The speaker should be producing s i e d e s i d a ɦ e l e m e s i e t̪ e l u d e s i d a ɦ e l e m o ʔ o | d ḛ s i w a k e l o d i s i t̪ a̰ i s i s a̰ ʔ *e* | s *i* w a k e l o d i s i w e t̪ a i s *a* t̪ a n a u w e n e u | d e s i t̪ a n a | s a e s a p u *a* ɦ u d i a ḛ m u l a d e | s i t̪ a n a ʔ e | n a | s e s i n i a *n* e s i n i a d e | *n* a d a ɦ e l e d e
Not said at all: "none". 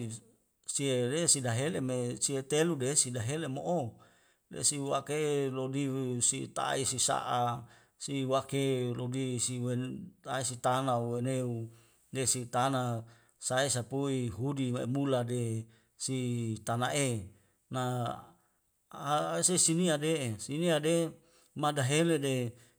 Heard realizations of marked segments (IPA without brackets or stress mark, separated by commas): a, i, i, i, d, m